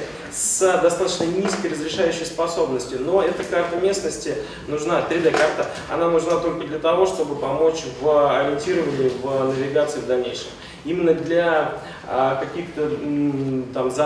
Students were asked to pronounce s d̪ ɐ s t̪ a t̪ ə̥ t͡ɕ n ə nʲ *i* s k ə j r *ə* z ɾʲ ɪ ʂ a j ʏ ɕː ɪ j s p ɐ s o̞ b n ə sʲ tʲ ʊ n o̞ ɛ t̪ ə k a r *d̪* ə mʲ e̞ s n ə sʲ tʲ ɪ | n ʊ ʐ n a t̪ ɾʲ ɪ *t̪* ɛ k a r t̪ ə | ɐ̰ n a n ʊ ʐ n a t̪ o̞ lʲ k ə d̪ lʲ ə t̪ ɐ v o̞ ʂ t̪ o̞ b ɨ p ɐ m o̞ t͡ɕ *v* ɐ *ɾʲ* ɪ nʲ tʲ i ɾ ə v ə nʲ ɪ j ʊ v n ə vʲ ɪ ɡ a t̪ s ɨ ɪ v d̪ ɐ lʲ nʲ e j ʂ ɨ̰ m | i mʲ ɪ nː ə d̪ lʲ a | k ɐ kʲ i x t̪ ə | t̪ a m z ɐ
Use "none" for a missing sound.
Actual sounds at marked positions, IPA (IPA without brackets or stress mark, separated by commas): i, ə, t̪, d̪, v, ɾʲ